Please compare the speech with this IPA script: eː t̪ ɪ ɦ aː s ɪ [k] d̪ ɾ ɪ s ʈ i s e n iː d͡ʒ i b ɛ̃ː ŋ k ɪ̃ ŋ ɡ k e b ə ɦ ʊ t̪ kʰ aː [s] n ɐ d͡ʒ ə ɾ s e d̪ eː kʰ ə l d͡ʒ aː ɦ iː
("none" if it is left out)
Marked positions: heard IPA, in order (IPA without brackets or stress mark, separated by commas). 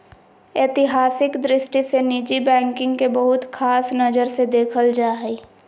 k, s